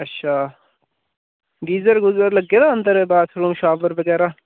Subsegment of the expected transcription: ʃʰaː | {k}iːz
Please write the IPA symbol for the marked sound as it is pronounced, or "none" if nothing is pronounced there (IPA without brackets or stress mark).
ɡ